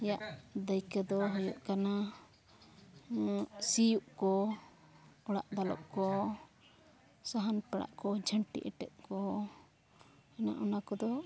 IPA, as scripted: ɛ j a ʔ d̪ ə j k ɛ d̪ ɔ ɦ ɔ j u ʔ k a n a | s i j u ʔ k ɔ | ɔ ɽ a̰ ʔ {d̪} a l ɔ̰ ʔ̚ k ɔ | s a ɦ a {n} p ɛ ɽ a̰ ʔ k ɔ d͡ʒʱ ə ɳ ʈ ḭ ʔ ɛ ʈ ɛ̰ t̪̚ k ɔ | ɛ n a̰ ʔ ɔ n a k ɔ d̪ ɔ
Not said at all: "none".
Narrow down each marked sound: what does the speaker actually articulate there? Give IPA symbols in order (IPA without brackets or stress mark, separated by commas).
d̪, n